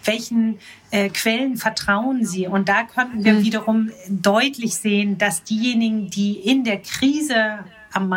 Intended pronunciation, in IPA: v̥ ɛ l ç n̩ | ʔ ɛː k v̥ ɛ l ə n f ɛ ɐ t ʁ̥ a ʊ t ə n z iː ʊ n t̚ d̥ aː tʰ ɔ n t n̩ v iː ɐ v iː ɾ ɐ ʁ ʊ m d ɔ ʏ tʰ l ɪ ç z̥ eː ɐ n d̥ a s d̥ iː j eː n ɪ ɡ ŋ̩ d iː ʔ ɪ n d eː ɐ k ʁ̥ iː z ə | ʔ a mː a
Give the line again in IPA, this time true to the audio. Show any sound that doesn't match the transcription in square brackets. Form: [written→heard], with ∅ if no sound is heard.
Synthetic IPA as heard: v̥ ɛ l ç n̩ | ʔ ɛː k v̥ ɛ l ə n f ɛ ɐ t ʁ̥ a ʊ [t→∅] ə n z iː ʊ n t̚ d̥ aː [tʰ→kʰ] ɔ n t n̩ v iː ɐ v iː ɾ ɐ ʁ ʊ m d ɔ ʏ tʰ l ɪ ç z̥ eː [ɐ→ə] n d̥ a s d̥ iː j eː n ɪ ɡ ŋ̩ d iː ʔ ɪ n d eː ɐ k ʁ̥ iː z ə | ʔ a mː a